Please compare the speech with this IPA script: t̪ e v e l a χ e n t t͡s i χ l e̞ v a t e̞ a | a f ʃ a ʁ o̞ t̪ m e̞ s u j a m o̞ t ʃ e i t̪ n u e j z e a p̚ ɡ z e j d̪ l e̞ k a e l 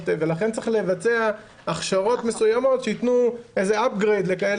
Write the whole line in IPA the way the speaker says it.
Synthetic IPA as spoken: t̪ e v e l a χ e n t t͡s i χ l e̞ v a t͡s e̞ a | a χ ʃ a ʁ o̞ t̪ m e̞ s u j a m o̞ t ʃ e i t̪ n u e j z e a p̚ ɡ ʁ e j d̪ l e̞ k a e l